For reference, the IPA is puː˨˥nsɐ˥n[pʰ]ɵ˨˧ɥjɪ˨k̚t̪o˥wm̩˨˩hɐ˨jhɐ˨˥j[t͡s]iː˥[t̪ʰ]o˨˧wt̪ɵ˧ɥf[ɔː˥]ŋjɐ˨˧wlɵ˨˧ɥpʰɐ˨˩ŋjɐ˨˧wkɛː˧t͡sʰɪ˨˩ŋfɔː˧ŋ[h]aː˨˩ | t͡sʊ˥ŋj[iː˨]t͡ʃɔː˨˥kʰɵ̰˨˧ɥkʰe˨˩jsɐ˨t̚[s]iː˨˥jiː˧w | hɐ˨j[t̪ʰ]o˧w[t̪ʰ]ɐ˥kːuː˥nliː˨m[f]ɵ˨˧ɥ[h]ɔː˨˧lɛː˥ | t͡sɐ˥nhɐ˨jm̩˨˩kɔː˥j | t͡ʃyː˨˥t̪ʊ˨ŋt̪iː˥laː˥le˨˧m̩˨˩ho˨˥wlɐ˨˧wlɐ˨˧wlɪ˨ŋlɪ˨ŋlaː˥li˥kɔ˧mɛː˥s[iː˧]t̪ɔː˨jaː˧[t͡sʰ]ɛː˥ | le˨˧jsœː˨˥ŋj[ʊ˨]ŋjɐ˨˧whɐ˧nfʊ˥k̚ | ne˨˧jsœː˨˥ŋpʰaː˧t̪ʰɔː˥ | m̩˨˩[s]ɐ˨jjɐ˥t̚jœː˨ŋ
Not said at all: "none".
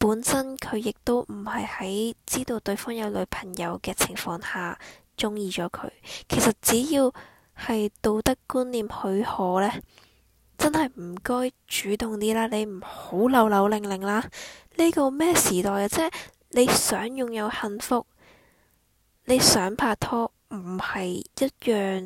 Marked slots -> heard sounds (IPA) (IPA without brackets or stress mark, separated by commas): kʰ, t͡s, t̪, ɔː˥, h, iː˨, t͡s, t̪, t̪, h, h, iː˨˩, t͡s, ʊ˨, h